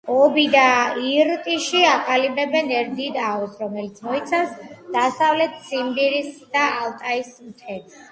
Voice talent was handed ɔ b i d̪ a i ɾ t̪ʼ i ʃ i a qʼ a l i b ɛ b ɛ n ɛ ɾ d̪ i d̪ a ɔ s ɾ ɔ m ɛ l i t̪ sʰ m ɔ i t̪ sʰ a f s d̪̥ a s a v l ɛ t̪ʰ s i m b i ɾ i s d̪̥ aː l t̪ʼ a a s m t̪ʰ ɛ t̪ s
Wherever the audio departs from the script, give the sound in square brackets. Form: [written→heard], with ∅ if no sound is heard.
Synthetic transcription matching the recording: ɔ b i d̪ a i ɾ t̪ʼ i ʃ i a qʼ a l i b ɛ b ɛ n ɛ ɾ d̪ i d̪ a ɔ s ɾ ɔ m ɛ l i t̪ sʰ m ɔ i t̪ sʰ a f s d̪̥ a s a v l ɛ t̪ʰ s i m b i ɾ i s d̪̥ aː l t̪ʼ a [a→i] s m t̪ʰ ɛ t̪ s